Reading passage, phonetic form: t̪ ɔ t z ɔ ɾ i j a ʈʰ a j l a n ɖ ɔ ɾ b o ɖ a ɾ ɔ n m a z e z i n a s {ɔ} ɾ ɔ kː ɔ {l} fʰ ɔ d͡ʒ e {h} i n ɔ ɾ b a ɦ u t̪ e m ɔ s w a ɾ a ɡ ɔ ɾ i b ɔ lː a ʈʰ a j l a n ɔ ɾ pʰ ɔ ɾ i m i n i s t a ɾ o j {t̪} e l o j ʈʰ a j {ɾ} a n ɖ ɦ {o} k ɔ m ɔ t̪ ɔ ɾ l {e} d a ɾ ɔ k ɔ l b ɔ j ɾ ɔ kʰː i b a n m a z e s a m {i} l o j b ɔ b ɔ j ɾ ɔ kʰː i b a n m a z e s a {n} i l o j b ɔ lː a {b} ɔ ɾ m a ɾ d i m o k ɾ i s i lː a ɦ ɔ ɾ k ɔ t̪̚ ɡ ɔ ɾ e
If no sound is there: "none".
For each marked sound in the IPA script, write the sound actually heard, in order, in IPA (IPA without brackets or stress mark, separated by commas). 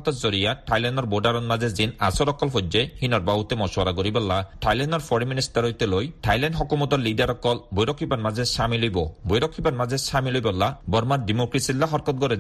ɔ, l, h, t̪, l, ɔ, i, i, m, b